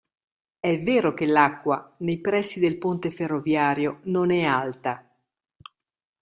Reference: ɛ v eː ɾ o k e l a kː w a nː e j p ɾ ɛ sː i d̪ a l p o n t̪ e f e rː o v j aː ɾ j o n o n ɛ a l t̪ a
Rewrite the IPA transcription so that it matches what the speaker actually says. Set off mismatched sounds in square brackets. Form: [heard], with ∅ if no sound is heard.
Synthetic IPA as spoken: ɛ v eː ɾ o k e l a kː w a [n] e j p ɾ ɛ sː i d̪ [e] l p o n t̪ e f e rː o v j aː ɾ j o n o n ɛ a l t̪ a